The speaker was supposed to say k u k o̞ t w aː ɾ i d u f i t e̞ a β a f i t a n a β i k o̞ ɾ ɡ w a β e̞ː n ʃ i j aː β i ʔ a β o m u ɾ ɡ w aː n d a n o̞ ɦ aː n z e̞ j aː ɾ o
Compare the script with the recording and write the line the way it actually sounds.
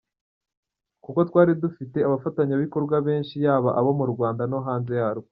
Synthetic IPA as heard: k u k o̞ t w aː ɾ i d u f i t e̞ a β a f a t a ɲ a β i k o̞ ɾ ɡ w a β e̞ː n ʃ i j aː β a ʔ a β o m u ɾ ɡ w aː n d a n o̞ ɦ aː n z e̞ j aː ɾ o

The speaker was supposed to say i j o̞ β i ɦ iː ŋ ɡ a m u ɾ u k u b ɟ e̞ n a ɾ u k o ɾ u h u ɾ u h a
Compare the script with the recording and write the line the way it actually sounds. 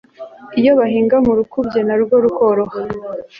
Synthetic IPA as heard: i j o̞ β a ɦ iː ŋ ɡ a m u ɾ u k u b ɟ e̞ n a ɾ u ɡ o ɾ u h o ɾ o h a

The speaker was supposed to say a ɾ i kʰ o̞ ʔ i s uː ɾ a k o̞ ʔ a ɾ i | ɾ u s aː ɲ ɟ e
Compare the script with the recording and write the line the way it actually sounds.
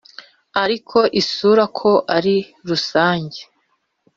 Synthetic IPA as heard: a ɾ i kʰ o̞ ʔ i s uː ɾ a kʰ o̞ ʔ a ɾ i | ɾ u s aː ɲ ɟ e

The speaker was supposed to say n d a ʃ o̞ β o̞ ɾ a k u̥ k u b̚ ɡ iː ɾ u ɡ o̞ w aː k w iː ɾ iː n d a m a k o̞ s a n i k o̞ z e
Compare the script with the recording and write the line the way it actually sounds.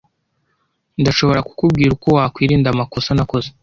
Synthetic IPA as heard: n d a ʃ o̞ β o̞ ɾ a k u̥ k u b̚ ɡ iː ɾ u k o̞ w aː k w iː ɾ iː n d a m a k o̞ s a n a k o̞ z e

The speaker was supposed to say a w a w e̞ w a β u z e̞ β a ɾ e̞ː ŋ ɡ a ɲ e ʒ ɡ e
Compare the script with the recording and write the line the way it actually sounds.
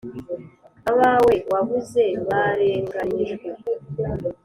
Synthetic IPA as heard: a β a w e̞ w a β u z e̞ β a ɾ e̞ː ŋ ɡ a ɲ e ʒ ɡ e

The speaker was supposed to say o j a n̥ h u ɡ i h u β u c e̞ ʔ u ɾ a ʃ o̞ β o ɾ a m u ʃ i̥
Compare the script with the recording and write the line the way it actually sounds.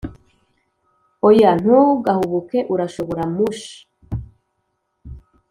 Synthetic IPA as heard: o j a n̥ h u ɡ a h u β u k e̞ ʔ u ɾ a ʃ o̞ β o ɾ a m u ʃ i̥

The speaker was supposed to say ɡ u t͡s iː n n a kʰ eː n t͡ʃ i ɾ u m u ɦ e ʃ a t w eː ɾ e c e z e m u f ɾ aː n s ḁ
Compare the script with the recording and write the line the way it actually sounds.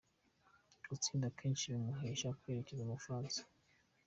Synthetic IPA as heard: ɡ u t͡s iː n d a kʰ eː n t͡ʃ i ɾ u m u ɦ e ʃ a k w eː ɾ e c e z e m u f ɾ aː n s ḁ

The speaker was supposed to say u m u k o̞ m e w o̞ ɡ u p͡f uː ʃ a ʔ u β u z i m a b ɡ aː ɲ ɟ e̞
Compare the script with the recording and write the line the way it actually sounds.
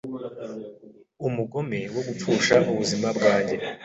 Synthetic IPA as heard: u m u ɡ o̞ m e w o̞ ɡ u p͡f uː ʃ a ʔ u β u z i m a b ɡ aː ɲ ɟ e̞

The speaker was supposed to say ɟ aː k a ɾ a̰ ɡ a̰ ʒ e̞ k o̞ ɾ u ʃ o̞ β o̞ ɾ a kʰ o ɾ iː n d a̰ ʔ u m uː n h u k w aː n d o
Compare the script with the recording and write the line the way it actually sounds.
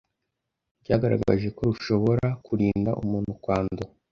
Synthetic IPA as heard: ɟ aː ɡ a ɾ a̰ ɡ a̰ ʒ e̞ k o̞ ɾ u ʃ o̞ β o̞ ɾ a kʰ u ɾ iː n d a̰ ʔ u m uː n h u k w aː n d o

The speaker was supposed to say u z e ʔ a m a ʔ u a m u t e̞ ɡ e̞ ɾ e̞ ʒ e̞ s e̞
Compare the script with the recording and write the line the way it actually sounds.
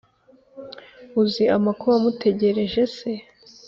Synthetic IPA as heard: u z i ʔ a m a k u a m u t e̞ ɟ e̞ ɾ e̞ ʒ e̞ s e̞

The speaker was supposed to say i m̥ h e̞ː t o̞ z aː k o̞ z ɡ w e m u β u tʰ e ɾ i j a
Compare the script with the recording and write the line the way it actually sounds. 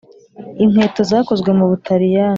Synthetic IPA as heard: i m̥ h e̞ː t o̞ z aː k o̞ z ɡ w e m u β u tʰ a ɾ i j a

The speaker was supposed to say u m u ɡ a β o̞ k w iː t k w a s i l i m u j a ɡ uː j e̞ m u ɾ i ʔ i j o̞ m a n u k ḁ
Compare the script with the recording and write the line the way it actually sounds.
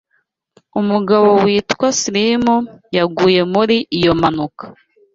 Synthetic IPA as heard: u m u ɡ a β o̞ w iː t k w a s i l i m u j a ɡ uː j e̞ m u ɾ i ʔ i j o̞ m a n u k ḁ

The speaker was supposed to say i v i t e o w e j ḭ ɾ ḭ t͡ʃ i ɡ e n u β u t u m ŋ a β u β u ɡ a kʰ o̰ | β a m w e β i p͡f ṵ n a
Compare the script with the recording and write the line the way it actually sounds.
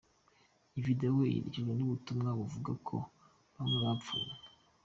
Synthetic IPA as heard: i v i d e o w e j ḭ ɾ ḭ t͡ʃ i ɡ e n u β u t u m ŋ a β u v u ɡ a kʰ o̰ | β a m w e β a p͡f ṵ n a

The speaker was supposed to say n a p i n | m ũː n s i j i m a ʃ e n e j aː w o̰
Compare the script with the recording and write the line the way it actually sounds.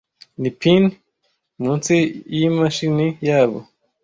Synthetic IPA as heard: n i p i n | m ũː n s i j i m a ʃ i n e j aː β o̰

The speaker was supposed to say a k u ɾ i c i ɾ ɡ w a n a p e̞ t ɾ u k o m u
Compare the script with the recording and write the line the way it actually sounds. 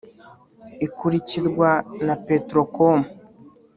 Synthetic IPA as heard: i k u ɾ i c i ɾ ɡ w a n a p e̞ t ɾ o k o m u

